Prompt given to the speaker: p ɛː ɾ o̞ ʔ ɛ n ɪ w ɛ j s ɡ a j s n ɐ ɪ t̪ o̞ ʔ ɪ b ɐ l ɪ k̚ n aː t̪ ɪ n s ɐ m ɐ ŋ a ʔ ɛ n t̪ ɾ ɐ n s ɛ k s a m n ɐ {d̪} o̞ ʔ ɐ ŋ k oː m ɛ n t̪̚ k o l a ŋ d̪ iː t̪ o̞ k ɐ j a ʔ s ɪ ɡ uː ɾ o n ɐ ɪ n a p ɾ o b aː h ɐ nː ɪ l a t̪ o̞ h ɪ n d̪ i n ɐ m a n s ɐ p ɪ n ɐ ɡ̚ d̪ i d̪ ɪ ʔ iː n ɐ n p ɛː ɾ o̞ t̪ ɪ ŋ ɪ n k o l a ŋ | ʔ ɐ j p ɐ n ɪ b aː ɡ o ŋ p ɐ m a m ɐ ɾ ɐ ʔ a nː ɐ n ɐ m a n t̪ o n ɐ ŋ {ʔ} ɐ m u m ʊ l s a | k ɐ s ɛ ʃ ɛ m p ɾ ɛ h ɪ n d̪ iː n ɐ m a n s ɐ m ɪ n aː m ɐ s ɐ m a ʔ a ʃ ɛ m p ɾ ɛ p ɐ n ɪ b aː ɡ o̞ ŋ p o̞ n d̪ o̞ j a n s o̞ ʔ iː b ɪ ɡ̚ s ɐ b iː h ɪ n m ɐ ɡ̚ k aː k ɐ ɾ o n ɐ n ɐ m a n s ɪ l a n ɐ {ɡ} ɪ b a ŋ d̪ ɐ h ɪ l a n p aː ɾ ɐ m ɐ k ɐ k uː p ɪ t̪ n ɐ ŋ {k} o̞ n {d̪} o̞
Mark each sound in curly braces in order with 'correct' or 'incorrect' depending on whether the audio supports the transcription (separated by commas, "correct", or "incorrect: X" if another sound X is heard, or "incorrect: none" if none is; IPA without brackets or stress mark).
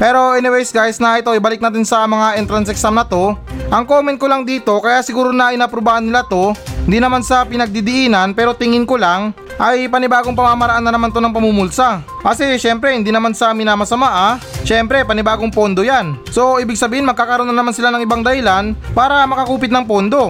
incorrect: t̪, incorrect: p, incorrect: ŋ, incorrect: p, correct